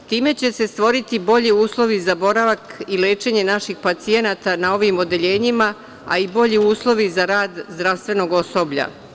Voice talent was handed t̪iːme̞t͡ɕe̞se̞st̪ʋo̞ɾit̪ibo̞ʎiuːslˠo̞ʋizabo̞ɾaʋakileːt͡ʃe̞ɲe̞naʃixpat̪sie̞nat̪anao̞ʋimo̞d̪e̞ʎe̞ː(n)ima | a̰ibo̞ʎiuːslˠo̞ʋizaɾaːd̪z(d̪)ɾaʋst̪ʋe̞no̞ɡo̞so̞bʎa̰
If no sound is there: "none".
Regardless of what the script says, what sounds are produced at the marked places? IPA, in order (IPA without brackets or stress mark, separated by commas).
ɲ, d̪